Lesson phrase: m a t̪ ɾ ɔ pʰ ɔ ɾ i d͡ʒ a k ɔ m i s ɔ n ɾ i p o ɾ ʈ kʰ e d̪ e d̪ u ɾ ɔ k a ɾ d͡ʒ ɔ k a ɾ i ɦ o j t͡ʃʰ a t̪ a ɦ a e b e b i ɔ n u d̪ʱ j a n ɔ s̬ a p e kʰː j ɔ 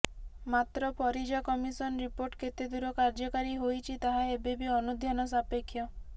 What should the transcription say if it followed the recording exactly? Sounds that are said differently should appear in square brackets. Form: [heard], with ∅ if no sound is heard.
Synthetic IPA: m a t̪ ɾ ɔ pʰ ɔ ɾ i d͡ʒ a k ɔ m i s ɔ n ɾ i p o ɾ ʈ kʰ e [t̪] e d̪ u ɾ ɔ k a ɾ d͡ʒ ɔ k a ɾ i ɦ o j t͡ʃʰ [i] t̪ a ɦ a e b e b i ɔ n u d̪ʱ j a n ɔ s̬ a p e kʰː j ɔ

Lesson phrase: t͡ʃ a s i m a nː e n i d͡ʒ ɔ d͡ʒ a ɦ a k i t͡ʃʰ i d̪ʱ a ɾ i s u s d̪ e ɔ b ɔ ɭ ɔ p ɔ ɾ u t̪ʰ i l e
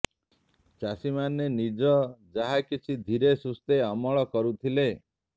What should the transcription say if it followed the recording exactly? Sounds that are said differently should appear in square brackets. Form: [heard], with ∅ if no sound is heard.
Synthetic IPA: t͡ʃ a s i m a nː e n i d͡ʒ ɔ d͡ʒ a ɦ a k i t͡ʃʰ i d̪ʱ [i] ɾ [e] s u s [t̪] e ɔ [m] ɔ ɭ ɔ [k] ɔ ɾ u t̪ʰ i l e

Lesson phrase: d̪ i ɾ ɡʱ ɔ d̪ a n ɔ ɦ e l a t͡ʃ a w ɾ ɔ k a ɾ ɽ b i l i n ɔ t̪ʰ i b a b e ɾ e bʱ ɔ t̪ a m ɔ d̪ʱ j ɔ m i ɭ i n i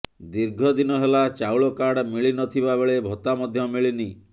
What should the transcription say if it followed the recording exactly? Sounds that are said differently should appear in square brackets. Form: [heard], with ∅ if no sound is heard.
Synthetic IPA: d̪ i ɾ ɡʱ ɔ d̪ [i] n ɔ ɦ e l a t͡ʃ a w [ɭ] ɔ k a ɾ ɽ [m] i [ɭ] i n ɔ t̪ʰ i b a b e [ɭ] e bʱ ɔ t̪ a m ɔ d̪ʱ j ɔ m i ɭ i n i

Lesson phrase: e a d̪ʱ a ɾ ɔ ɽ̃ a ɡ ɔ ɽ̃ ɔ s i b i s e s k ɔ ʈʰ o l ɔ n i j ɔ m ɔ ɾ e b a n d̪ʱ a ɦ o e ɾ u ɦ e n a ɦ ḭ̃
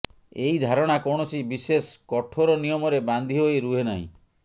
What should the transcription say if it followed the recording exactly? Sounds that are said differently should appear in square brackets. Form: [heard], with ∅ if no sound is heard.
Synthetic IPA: e [i] d̪ʱ a ɾ ɔ ɽ̃ a [k] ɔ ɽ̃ ɔ s i b i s e s k ɔ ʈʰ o [ɾ] ɔ n i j ɔ m ɔ ɾ e b a n d̪ʱ [i] ɦ o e ɾ u ɦ e n a ɦ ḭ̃

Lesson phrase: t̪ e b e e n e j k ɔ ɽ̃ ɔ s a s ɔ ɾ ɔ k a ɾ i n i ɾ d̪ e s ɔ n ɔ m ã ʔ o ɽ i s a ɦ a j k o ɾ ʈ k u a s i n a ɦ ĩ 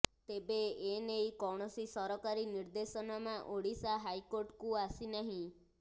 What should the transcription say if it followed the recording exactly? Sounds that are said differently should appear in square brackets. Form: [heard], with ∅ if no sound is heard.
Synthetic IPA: t̪ e b e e n e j k ɔ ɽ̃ ɔ s [i] s ɔ ɾ ɔ k a ɾ i n i ɾ d̪ e s ɔ n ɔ m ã ʔ o ɽ i s a ɦ a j k o ɾ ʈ k u a s i n a ɦ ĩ

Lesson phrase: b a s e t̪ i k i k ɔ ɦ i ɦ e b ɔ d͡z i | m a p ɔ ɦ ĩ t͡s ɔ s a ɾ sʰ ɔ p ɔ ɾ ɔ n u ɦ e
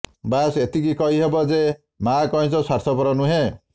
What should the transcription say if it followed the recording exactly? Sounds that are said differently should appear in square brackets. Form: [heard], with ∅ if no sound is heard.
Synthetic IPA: b a s e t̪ i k i k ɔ ɦ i ɦ e b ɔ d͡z [e] | m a [k] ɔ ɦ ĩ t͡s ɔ s a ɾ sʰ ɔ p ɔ ɾ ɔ n u ɦ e

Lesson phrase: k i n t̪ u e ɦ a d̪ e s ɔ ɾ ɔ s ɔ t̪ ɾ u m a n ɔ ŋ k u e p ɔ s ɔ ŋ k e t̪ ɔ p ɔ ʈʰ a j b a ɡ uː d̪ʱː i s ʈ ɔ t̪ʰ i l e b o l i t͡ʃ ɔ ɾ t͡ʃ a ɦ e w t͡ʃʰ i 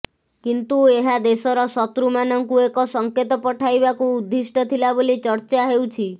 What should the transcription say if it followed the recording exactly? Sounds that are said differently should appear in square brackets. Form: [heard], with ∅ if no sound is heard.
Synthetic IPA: k i n t̪ u e ɦ a d̪ e s ɔ ɾ ɔ s ɔ t̪ ɾ u m a n ɔ ŋ k u e [k] ɔ s ɔ ŋ k e t̪ ɔ p ɔ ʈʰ a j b a [k] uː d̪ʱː i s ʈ ɔ t̪ʰ i l [a] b o l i t͡ʃ ɔ ɾ t͡ʃ a ɦ e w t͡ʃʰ i

